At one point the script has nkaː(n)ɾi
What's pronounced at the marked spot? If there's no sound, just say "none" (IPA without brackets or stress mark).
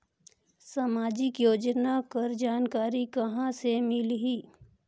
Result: none